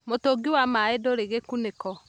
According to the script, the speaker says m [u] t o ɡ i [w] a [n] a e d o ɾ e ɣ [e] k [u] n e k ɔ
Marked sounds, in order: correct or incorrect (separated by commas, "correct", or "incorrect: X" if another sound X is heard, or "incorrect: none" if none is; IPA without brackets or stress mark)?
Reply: incorrect: o, correct, incorrect: m, correct, correct